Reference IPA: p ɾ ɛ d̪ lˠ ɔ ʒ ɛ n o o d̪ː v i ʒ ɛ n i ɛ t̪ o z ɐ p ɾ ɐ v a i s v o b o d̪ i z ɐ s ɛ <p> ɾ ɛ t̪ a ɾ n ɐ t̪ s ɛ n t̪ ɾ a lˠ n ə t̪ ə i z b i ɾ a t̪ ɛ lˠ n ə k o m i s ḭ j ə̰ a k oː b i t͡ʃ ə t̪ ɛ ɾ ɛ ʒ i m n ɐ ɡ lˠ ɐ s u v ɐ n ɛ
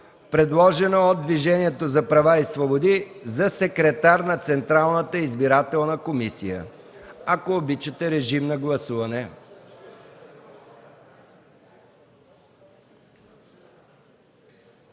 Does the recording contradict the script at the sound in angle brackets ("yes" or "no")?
yes